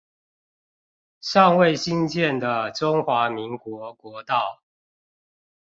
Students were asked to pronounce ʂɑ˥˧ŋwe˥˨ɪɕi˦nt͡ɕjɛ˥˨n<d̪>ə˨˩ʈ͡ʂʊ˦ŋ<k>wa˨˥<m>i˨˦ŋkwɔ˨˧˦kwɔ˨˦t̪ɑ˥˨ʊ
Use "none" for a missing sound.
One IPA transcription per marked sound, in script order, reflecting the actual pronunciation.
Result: d̪, x, m

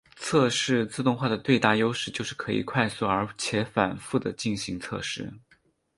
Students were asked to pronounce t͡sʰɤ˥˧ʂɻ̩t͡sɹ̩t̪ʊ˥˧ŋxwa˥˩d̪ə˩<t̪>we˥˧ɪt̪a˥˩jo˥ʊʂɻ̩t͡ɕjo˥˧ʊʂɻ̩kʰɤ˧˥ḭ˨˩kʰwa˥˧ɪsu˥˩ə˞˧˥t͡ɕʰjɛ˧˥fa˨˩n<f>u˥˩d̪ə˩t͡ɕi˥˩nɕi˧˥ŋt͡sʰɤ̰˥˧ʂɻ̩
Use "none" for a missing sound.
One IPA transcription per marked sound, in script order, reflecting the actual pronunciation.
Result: t̪, f

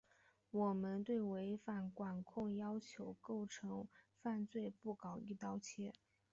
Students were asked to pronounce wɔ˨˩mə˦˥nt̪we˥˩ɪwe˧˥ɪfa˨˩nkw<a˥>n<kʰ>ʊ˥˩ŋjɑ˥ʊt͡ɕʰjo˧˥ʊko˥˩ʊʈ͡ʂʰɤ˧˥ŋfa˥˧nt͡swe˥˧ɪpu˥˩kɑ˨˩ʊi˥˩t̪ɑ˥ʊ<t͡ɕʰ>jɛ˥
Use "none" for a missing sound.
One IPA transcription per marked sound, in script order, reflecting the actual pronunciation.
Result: a˨˩, kʰ, t͡ɕʰ

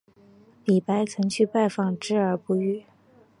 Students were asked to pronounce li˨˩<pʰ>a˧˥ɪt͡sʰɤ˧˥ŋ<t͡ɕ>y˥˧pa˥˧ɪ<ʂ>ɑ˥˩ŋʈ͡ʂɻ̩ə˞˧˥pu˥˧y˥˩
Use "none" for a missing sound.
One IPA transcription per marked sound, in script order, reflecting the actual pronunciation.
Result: p, t͡ɕʰ, f

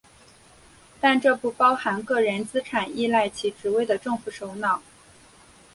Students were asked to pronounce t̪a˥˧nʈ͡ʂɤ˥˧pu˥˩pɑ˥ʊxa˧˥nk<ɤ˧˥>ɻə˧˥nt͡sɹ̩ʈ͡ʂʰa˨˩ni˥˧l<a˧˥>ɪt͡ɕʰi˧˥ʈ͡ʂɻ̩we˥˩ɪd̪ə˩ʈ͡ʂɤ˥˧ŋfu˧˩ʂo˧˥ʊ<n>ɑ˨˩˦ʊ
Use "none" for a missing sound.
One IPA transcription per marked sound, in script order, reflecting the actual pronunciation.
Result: ɤ˥˩, a˥˩, n

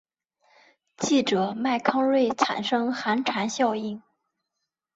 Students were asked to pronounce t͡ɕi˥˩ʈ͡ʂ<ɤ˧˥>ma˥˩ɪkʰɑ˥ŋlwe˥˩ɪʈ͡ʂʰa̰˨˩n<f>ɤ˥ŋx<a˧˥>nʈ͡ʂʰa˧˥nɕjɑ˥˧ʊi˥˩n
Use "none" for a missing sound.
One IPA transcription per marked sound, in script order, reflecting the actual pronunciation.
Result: ɤ˨˩, ʂ, a˧˥

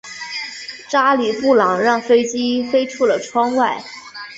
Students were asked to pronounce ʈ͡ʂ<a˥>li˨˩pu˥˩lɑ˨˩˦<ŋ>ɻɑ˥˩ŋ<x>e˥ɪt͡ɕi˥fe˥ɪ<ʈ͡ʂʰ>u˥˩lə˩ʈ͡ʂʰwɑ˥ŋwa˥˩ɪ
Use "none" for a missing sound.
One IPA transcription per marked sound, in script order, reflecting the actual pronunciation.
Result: a˥, ŋ, f, ʈ͡ʂʰ

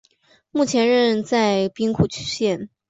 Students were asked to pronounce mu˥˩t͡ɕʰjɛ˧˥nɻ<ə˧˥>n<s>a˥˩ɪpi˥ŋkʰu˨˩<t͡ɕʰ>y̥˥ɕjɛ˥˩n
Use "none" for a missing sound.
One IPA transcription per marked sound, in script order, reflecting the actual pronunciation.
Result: ə˥˧, t͡s, t͡ɕʰ

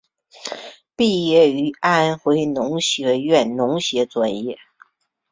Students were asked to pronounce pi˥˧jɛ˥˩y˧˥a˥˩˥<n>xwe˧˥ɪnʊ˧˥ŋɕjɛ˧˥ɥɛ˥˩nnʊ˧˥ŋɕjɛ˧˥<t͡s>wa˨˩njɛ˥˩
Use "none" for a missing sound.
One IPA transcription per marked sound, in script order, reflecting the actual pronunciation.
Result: n, t͡s

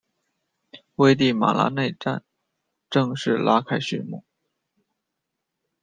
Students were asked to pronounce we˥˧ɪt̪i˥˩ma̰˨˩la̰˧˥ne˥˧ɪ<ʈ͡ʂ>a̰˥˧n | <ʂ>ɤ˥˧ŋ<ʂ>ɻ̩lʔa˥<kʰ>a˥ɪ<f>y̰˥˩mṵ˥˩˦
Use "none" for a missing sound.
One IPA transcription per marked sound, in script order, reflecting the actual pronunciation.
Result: ʈ͡ʂ, ʈ͡ʂ, ʂ, kʰ, ɕ

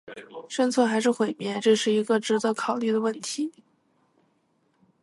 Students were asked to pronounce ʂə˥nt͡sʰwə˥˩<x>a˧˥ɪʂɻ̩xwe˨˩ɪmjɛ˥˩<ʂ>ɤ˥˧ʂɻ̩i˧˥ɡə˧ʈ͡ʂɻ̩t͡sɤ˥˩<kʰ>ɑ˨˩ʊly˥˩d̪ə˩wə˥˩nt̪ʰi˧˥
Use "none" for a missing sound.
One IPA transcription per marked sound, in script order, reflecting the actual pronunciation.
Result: x, ʈ͡ʂ, kʰ

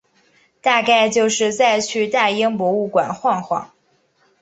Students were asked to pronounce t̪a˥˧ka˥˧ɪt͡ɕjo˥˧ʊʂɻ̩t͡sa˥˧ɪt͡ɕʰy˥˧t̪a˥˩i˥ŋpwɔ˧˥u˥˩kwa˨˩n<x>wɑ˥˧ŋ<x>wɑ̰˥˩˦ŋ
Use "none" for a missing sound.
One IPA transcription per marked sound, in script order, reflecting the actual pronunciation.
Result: x, x

